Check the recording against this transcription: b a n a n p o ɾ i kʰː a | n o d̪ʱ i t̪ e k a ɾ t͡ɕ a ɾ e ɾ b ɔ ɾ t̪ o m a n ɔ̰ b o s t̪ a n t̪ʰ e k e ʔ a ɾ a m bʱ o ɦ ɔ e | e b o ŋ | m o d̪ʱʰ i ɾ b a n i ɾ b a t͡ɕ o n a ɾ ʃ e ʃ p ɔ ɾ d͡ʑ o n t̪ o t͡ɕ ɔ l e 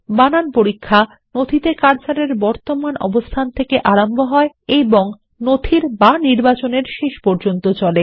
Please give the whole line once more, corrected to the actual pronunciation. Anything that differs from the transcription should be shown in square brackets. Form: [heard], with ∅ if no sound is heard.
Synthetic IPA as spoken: b a n a n p o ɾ i kʰː a | n o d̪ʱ i t̪ e k a ɾ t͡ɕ a ɾ e ɾ b ɔ ɾ t̪ o m a n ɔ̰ b o s [t̪ʰ] a n t̪ʰ e k e ʔ a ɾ a m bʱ o ɦ ɔ e | e b o ŋ | [n] o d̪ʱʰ i ɾ b a n i ɾ b a t͡ɕ o n [e] ɾ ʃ e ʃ p ɔ ɾ d͡ʑ o n t̪ o t͡ɕ ɔ l e

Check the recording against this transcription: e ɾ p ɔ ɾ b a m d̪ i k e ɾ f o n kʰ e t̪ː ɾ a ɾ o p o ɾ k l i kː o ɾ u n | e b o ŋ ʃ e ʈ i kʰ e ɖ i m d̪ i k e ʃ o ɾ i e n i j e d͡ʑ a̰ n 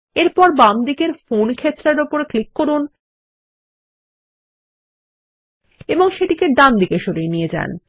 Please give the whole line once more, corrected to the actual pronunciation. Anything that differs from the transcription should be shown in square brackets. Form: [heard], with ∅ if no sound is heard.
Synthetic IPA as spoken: e ɾ p ɔ ɾ b a m d̪ i k e ɾ f o n kʰ e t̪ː ɾ a ɾ o p o ɾ k l i kː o ɾ u n | e b o ŋ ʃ e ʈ i [k] e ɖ [a] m d̪ i k e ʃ o ɾ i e n i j e d͡ʑ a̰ n

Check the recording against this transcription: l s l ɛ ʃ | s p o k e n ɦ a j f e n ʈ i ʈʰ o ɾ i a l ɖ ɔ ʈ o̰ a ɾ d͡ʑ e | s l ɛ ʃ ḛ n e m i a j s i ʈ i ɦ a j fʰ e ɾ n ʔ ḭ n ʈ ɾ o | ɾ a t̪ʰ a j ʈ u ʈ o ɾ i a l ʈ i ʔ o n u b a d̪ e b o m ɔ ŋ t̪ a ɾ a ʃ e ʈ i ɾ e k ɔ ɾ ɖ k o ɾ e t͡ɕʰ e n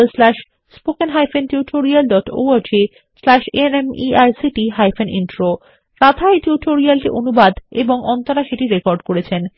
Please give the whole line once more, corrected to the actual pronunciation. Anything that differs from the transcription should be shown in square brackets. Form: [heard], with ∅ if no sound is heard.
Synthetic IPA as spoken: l s l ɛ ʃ | s p o k e n ɦ a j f e n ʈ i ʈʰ o ɾ i a l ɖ ɔ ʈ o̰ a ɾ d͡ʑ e | s l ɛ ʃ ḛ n e m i a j s i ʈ i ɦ a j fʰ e [∅] n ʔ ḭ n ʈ ɾ o | ɾ a t̪ʰ a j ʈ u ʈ o ɾ i a l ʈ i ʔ o n u b a d̪ e b o [ŋ] ɔ [n] t̪ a ɾ a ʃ e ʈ i ɾ e k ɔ ɾ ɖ k o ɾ e t͡ɕʰ e n

